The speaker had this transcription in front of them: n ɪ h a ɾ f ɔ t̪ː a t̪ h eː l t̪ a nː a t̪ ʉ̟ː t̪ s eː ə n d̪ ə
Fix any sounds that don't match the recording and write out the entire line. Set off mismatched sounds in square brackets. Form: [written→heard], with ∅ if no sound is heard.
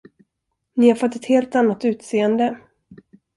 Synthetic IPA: n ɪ h a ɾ f ɔ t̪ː [a→ɛ] t̪ h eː l t̪ a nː a t̪ ʉ̟ː t̪ s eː ə n d̪ ə